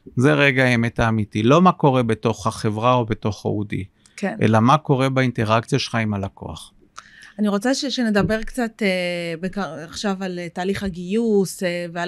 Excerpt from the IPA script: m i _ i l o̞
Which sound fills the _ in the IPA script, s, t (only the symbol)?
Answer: t